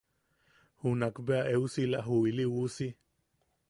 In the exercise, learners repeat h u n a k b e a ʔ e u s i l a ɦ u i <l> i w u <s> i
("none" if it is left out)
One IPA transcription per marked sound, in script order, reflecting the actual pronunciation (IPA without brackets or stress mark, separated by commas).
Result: l, s